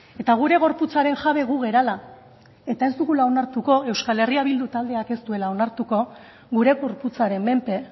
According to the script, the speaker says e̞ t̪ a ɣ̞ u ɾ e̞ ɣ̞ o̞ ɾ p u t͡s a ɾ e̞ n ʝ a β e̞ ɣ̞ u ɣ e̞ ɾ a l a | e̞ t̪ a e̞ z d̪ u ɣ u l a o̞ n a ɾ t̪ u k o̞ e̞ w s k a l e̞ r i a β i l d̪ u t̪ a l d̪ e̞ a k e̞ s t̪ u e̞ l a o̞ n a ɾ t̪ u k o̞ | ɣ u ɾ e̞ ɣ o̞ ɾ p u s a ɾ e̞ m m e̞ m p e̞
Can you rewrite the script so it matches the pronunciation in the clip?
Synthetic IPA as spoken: e̞ t̪ a ɣ̞ u ɾ e̞ ɣ̞ o̞ ɾ p u t͡s a ɾ e̞ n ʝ a β e̞ ɣ̞ u ɣ e̞ ɾ a l a | e̞ t̪ a e̞ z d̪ u ɣ u l a o̞ n a ɾ t̪ u k o̞ e̞ w s k a l e̞ r i a β i l d̪ u t̪ a l d̪ e̞ a k e̞ s t̪ u e̞ l a o̞ n a ɾ t̪ u k o̞ | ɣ u ɾ e̞ ɣ o̞ ɾ p u t͡s a ɾ e̞ m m e̞ m p e̞